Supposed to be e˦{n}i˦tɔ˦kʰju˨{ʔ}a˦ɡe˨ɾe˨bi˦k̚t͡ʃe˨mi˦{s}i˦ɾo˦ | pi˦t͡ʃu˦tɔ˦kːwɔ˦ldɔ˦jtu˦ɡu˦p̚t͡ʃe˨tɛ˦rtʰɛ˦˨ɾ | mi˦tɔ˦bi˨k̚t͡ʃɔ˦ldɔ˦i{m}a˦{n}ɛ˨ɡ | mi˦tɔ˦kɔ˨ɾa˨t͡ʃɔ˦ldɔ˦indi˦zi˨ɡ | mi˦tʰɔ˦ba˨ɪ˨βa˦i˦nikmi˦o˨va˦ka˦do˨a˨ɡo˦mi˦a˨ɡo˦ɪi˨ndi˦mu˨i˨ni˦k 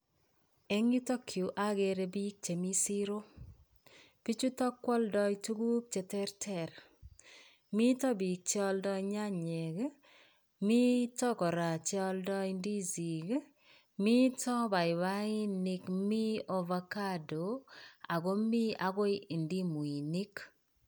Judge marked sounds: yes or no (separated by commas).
no, yes, yes, no, no